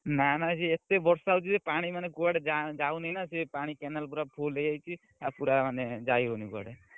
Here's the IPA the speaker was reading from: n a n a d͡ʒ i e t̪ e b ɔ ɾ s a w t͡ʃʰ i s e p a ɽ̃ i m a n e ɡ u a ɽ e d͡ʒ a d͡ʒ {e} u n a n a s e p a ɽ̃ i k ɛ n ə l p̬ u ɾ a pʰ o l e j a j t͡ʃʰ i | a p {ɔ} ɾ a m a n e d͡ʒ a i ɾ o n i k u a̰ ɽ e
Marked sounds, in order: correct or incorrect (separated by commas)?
incorrect, incorrect